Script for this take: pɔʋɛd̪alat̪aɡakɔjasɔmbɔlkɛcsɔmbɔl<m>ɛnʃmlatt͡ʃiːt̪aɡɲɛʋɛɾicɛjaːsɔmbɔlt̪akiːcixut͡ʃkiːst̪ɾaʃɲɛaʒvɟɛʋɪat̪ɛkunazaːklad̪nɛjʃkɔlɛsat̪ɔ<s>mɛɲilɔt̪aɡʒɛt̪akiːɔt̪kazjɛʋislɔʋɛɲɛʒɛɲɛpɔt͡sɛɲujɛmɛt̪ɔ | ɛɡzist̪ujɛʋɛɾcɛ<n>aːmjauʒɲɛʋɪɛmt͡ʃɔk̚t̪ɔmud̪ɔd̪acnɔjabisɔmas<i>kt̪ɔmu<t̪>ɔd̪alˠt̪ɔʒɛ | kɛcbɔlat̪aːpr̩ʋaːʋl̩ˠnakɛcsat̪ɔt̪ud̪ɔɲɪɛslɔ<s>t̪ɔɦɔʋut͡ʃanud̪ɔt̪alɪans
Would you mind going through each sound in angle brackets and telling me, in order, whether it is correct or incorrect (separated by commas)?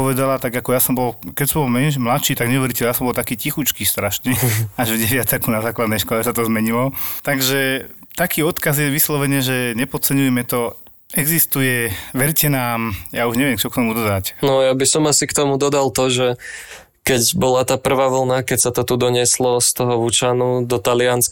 correct, incorrect, correct, correct, incorrect, correct